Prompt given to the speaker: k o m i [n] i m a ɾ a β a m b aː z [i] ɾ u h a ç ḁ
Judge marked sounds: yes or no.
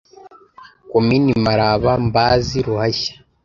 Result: yes, yes

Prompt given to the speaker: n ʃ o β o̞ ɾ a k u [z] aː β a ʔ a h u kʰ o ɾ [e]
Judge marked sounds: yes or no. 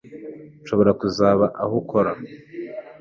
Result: yes, no

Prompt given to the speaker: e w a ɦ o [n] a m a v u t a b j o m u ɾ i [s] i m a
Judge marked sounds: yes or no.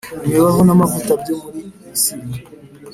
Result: yes, yes

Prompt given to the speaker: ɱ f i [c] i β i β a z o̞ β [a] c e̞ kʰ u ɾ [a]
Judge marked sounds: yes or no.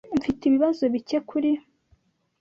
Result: no, no, no

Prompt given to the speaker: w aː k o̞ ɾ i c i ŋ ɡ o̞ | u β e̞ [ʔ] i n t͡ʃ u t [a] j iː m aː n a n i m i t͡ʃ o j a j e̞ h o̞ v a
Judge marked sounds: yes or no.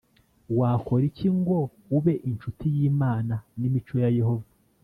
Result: yes, no

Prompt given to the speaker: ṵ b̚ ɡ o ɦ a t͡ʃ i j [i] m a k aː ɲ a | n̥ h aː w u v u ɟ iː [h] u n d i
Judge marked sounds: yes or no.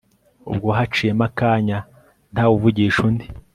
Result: no, no

